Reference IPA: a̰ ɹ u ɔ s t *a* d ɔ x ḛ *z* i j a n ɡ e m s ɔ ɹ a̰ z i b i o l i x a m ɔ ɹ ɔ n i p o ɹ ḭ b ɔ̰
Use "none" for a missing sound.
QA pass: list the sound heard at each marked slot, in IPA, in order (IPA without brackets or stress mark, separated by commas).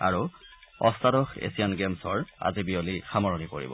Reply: a, s